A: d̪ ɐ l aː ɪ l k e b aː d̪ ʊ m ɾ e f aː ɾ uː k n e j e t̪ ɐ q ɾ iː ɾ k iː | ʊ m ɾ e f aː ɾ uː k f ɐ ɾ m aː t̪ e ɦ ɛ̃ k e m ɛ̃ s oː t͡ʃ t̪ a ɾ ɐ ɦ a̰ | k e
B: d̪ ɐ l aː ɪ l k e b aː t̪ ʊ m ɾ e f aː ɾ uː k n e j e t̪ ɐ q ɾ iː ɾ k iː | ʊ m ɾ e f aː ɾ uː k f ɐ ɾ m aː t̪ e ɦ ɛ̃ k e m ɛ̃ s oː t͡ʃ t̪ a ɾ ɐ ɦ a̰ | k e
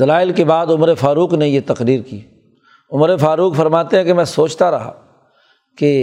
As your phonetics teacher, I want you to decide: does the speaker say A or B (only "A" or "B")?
A